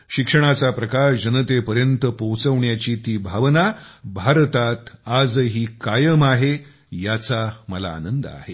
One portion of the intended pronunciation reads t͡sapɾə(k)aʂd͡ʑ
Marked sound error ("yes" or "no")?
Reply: no